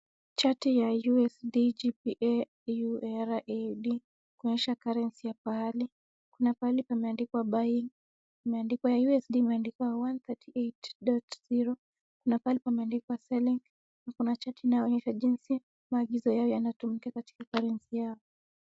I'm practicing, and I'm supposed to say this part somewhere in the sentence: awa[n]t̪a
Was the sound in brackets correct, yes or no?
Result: yes